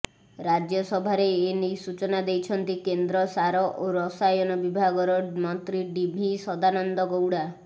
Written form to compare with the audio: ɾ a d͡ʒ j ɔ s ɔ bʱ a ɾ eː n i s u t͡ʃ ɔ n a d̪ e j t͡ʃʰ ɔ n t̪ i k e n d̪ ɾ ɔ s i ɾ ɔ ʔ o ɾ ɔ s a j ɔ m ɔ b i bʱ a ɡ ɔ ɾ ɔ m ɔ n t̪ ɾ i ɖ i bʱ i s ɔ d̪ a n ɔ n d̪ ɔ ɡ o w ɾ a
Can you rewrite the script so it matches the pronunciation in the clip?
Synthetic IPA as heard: ɾ a d͡ʒ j ɔ s ɔ bʱ a ɾ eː n i s u t͡ʃ ɔ n a d̪ e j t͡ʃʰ ɔ n t̪ i k e n d̪ ɾ ɔ s a ɾ ɔ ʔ o ɾ ɔ s a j ɔ n ɔ b i bʱ a ɡ ɔ ɾ ɔ m ɔ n t̪ ɾ i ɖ i bʱ i s ɔ d̪ a n ɔ n d̪ ɔ ɡ o w ɽ a